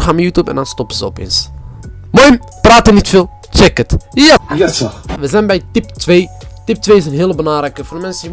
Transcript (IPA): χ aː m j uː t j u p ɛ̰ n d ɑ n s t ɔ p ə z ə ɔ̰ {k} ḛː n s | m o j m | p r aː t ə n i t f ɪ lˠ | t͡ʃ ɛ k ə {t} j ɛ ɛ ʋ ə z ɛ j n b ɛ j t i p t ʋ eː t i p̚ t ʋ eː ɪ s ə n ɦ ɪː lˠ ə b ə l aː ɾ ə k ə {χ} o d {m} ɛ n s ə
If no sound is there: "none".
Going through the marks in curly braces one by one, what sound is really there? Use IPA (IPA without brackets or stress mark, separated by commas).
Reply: p, t, f, m